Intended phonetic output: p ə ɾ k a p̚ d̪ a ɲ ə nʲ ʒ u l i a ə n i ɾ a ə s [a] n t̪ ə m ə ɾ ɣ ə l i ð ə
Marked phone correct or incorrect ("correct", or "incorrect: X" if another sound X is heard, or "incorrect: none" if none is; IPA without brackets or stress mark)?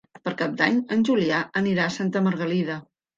correct